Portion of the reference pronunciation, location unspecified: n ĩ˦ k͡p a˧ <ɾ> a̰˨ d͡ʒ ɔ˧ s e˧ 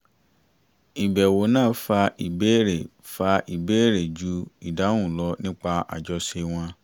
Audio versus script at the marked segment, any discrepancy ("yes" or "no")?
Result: yes